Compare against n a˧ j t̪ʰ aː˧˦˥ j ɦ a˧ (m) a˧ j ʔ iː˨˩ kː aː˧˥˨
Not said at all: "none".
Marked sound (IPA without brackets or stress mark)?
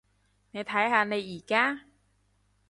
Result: n